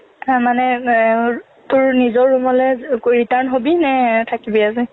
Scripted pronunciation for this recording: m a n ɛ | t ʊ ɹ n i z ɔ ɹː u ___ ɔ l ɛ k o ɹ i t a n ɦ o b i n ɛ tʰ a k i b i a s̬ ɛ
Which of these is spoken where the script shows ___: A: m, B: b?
A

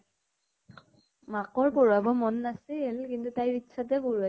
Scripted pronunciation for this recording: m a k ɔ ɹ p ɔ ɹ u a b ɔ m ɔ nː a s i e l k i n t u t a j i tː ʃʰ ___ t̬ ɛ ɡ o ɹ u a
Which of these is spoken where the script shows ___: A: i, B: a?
B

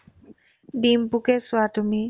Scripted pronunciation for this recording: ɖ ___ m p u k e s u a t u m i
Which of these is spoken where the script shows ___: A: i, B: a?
A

